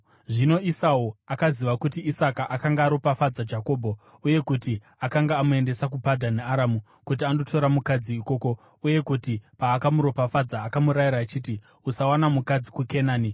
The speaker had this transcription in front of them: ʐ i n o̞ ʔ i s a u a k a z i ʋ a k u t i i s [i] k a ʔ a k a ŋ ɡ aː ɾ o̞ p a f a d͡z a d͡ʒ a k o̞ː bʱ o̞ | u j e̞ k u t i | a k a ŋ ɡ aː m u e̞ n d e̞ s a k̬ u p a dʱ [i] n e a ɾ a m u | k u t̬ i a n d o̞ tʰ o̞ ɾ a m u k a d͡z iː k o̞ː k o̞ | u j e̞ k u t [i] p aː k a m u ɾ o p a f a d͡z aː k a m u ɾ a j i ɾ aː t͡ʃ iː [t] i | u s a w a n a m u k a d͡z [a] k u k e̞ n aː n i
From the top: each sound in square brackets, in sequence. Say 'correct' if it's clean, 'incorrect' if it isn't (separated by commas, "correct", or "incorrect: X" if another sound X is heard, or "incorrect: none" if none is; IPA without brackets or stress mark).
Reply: incorrect: a, incorrect: a, correct, correct, incorrect: i